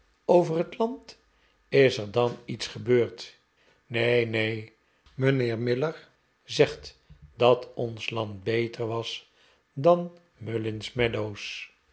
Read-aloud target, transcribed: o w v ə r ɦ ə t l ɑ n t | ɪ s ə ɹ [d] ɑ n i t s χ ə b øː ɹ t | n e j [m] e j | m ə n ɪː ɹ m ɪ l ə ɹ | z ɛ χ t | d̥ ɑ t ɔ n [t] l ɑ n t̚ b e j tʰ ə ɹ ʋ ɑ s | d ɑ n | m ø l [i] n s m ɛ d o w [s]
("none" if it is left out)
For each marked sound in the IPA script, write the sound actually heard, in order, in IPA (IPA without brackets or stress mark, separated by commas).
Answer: d, n, s, ɪ, s